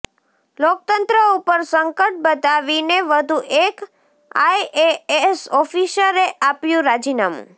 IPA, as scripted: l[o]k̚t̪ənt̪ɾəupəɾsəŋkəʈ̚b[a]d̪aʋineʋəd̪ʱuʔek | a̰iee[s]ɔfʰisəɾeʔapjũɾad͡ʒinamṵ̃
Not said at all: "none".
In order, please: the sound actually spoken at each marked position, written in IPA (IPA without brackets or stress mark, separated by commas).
o, ə, s